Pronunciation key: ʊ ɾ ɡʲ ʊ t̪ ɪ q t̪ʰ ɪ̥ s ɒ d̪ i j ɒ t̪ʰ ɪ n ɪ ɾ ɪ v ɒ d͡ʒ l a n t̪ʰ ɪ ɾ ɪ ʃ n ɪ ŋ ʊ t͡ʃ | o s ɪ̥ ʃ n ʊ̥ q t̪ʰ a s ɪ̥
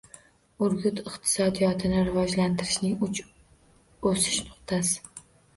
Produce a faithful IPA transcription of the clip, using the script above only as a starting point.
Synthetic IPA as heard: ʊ ɾ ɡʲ ʊ t̪ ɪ q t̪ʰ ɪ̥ s ɒ d̪ i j ɒ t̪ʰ ɪ n ɪ ɾ ɪ v ɒ d͡ʒ l a n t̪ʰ ɪ ɾ ɪ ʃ n ɪ ŋ ʊ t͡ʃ | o s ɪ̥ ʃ n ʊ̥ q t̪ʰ a s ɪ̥